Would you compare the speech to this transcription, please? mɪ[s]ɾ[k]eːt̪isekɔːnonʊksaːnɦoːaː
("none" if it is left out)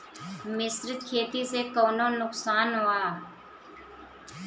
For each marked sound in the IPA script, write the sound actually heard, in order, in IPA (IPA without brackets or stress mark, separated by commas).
s, kʰ